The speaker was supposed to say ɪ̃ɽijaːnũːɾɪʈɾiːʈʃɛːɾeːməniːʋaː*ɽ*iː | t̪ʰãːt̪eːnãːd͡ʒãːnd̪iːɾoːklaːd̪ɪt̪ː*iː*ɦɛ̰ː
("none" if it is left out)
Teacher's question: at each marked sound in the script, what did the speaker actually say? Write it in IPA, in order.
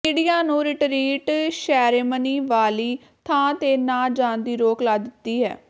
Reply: l, iː

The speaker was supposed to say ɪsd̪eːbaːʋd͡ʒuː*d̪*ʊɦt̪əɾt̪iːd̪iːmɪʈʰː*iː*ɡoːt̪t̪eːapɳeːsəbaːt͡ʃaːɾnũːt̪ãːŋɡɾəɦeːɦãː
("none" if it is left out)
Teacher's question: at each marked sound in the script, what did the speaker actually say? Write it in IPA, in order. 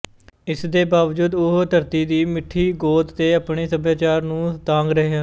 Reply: d̪, iː

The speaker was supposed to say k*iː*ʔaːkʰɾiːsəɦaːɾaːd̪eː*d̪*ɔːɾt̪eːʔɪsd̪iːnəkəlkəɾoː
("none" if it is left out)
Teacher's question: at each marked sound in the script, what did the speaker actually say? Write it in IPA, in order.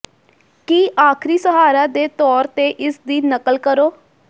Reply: iː, t̪

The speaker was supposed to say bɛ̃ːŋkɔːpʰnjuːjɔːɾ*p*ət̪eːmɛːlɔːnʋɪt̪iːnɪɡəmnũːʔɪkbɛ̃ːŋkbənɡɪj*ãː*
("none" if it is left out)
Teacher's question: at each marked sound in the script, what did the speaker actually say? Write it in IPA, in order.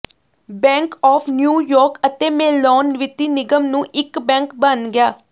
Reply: k, aː

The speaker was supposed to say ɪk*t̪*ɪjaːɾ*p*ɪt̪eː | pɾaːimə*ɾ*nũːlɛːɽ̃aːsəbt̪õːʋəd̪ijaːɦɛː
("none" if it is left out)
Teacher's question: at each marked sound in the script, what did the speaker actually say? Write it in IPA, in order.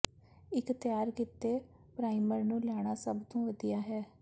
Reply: t̪, k, ɾ

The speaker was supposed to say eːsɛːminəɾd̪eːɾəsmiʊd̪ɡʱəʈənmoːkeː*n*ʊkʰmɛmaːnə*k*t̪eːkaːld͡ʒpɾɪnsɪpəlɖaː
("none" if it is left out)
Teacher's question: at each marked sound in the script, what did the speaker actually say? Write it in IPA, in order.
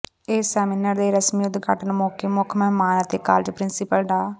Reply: m, none

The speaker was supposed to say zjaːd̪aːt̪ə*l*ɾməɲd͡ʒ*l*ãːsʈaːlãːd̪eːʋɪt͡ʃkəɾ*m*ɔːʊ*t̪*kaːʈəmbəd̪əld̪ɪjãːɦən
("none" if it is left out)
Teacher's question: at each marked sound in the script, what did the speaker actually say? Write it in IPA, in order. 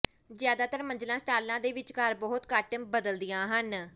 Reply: none, l, b, t̪

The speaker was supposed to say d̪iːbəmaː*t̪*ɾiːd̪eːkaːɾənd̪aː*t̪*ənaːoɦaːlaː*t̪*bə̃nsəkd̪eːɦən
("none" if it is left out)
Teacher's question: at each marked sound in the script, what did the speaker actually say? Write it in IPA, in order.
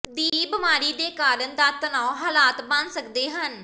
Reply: none, t̪, t̪

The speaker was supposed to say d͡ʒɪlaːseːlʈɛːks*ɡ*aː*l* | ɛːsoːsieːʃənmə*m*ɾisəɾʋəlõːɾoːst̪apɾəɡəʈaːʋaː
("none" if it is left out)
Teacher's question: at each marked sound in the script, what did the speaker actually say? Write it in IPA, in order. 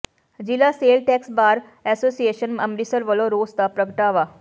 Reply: b, ɾ, m

